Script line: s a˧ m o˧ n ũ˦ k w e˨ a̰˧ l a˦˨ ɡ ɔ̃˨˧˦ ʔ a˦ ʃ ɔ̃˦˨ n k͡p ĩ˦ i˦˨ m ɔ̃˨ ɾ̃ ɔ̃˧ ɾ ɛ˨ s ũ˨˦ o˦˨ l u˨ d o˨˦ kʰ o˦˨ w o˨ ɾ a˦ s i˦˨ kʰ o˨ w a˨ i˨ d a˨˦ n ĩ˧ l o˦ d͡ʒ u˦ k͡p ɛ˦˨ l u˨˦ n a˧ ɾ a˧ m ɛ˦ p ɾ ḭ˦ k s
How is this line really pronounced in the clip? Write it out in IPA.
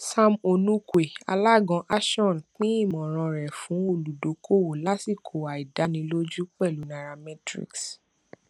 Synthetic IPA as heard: s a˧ m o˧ n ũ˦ k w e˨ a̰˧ l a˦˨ ɡ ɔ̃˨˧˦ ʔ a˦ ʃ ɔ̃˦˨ n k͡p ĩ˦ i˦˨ m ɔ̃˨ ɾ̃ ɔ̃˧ ɾ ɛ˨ f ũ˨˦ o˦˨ l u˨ d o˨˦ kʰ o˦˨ w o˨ l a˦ s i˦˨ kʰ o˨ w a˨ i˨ d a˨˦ n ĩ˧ l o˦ d͡ʒ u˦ k͡p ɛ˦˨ l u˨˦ n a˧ ɾ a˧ m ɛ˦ t ɾ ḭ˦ k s